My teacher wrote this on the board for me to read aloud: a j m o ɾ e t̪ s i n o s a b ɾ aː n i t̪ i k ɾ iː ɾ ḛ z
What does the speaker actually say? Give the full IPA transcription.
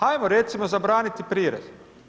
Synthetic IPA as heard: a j m o ɾ e t̪ s i m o z a b ɾ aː n i t̪ i p ɾ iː ɾ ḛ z